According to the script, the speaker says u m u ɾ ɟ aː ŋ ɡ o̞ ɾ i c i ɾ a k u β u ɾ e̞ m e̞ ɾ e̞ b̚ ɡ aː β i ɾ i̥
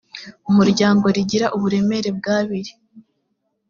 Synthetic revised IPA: u m u ɾ ɟ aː ŋ ɡ o̞ ɾ i ɟ i ɾ a ʔ u β u ɾ e̞ m e̞ ɾ e̞ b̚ ɡ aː β i ɾ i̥